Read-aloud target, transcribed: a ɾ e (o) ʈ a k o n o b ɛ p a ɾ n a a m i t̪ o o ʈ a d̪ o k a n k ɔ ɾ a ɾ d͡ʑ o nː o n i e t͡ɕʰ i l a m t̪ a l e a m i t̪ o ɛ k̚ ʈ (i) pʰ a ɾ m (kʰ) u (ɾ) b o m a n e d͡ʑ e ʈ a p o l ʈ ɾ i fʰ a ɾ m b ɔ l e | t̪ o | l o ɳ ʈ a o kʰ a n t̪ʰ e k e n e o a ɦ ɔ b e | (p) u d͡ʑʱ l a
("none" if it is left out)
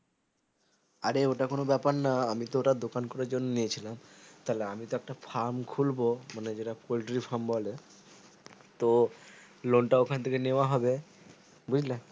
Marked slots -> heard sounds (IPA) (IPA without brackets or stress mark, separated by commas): o, a, kʰ, l, b